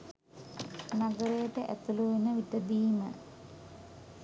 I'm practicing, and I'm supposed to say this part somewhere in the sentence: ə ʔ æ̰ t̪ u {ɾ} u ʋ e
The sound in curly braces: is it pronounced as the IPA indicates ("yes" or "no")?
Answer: no